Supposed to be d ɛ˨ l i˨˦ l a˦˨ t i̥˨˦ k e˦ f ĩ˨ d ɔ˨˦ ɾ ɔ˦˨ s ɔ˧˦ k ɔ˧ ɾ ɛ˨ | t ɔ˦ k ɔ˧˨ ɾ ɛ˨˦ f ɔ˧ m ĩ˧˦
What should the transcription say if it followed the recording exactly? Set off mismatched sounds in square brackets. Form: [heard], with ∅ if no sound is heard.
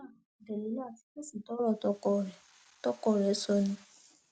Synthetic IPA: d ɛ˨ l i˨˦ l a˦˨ t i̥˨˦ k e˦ [s] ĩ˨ [t] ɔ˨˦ ɾ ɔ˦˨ [t] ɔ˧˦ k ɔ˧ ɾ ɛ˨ | t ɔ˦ k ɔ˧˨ ɾ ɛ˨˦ [s] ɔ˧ [n] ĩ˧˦